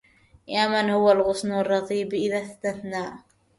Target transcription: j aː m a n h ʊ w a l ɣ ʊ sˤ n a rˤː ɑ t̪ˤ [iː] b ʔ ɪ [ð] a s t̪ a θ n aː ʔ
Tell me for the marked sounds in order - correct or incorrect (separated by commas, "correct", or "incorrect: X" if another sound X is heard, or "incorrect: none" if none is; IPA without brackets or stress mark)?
correct, correct